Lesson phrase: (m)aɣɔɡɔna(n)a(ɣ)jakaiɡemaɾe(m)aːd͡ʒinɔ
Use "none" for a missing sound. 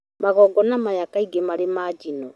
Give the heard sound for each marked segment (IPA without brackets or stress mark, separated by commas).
m, m, none, m